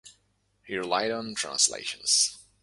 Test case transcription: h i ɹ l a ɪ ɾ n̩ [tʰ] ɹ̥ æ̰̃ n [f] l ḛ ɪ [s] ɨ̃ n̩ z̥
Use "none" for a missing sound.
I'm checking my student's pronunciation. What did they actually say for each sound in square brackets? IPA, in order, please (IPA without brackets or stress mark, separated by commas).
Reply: tʰ, s, ʃ